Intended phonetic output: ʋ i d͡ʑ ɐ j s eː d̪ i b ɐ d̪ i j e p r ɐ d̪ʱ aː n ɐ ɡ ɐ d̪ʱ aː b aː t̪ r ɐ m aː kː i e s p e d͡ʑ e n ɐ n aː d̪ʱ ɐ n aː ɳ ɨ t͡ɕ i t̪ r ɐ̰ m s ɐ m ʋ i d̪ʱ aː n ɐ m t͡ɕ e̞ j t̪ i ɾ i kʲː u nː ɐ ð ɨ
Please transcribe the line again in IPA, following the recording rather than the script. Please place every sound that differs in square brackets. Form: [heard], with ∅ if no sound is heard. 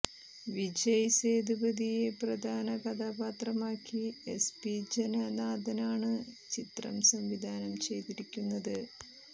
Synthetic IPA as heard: ʋ i d͡ʑ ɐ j s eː d̪ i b ɐ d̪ i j e p r ɐ d̪ʱ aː n ɐ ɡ ɐ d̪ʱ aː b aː t̪ r ɐ m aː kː i e s p [i] d͡ʑ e n ɐ n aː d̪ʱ ɐ n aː ɳ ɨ t͡ɕ i t̪ r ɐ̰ m s ɐ m ʋ i d̪ʱ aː n ɐ m t͡ɕ e̞ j t̪ i ɾ i kʲː u nː ɐ ð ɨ